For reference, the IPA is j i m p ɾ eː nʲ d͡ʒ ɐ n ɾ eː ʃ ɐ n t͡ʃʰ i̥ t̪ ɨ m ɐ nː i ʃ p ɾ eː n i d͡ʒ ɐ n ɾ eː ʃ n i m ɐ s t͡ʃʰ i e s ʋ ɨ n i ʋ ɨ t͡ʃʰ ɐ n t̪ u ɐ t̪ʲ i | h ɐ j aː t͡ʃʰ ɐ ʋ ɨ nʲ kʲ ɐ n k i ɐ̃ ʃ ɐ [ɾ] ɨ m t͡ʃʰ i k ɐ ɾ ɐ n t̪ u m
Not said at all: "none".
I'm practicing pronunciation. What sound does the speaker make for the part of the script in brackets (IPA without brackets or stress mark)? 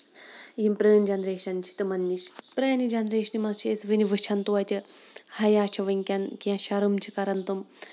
ɾ